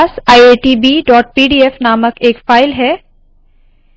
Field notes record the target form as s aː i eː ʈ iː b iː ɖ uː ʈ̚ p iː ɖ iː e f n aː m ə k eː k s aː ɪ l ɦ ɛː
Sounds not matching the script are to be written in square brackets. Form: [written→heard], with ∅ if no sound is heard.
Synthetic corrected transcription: s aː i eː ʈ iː b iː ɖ [uː→ɔː] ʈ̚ p iː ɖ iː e f n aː m ə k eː k [s→f] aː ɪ l ɦ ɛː